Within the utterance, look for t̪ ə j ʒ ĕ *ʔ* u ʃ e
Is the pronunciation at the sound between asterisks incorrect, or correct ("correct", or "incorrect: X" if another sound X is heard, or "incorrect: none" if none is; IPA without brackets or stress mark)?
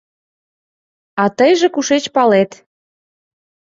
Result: incorrect: k